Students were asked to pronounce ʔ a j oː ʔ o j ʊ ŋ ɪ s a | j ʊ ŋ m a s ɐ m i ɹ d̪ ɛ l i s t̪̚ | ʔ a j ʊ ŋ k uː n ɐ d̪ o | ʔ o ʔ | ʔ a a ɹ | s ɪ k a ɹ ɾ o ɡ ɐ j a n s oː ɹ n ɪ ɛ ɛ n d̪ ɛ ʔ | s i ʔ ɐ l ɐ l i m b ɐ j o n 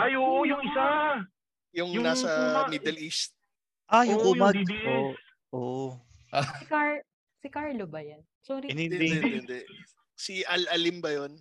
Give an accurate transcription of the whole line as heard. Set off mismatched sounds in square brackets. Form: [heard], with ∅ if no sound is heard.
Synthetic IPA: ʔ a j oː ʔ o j ʊ ŋ ɪ s a | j ʊ ŋ [n] a s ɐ m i [∅] d̪ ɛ l i s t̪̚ | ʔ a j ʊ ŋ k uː [m] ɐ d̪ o | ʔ o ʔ | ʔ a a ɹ | s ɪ k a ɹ [l] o [b] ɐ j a n s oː [ɾ] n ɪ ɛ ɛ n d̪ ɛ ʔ | s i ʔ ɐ l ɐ l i m b ɐ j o n